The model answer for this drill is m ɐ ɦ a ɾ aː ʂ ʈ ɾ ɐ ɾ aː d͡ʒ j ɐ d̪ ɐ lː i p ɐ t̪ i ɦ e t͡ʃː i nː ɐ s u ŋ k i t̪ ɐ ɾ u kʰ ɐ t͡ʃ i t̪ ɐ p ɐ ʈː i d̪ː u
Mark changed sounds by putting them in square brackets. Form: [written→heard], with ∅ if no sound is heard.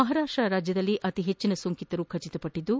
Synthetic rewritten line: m ɐ ɦ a ɾ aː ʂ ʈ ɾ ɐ ɾ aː d͡ʒ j ɐ d̪ ɐ lː i [p→ʔ] ɐ t̪ i ɦ e t͡ʃː i [nː→n] ɐ s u ŋ k i t̪ ɐ ɾ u kʰ ɐ t͡ʃ i t̪ ɐ p ɐ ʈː i d̪ː u